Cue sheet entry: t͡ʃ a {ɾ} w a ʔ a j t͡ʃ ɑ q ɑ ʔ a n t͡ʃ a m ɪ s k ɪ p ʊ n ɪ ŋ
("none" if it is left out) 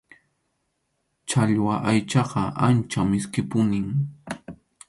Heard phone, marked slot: ʎ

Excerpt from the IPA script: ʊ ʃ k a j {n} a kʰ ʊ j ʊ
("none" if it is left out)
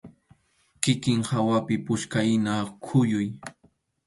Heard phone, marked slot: n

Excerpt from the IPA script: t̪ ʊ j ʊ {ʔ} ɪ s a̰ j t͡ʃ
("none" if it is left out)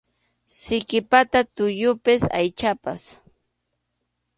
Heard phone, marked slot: p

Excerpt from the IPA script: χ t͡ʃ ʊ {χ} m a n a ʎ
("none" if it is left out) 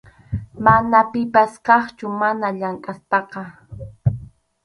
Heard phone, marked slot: none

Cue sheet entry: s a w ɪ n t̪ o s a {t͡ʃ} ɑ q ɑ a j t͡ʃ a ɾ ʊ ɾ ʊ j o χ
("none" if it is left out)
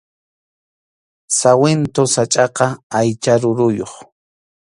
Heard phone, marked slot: t͡ʃʼ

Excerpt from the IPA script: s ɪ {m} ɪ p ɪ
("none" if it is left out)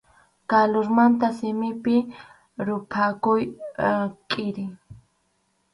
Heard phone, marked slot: m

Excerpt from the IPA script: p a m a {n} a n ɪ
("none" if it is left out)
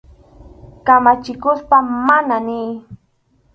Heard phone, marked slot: n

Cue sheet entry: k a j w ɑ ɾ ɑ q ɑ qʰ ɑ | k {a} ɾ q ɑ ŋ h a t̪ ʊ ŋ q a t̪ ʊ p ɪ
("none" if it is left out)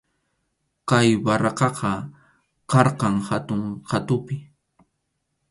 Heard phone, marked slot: ɑ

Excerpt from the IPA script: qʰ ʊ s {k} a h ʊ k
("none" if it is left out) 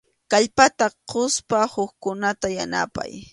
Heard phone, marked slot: p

